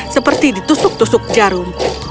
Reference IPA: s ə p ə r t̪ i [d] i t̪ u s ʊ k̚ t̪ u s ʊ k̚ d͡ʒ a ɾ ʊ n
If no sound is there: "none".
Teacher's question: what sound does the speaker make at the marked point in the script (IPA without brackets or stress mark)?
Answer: d